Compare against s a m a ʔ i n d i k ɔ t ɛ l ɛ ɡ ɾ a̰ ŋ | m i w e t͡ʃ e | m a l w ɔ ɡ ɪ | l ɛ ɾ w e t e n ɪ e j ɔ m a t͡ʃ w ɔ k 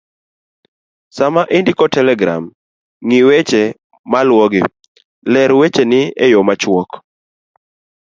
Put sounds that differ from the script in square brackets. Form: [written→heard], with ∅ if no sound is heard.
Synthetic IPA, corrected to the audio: s a m a ʔ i n d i k ɔ t ɛ l ɛ ɡ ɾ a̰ [ŋ→m] | [m→ŋ] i w e t͡ʃ e | m a l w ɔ ɡ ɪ | l ɛ ɾ w e [t→t͡ʃ] e n ɪ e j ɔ m a t͡ʃ w ɔ k